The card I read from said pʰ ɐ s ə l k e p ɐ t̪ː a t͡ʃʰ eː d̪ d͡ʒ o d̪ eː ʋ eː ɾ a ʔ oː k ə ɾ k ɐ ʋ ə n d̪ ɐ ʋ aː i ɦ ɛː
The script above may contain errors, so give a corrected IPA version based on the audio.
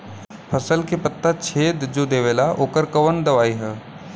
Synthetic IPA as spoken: pʰ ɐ s ə l k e p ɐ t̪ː a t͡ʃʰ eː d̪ d͡ʒ o d̪ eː ʋ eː l a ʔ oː k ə ɾ k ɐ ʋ ə n d̪ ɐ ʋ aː i ɦ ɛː